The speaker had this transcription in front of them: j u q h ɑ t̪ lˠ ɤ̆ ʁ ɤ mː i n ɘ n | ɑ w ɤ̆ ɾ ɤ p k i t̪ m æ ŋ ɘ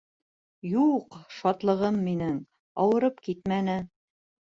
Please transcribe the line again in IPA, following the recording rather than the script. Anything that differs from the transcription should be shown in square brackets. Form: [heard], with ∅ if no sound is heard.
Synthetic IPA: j u q [ʃ] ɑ t̪ lˠ ɤ̆ ʁ ɤ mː i n ɘ [ŋ] | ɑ w ɤ̆ ɾ ɤ p k i t̪ m æ [n] ɘ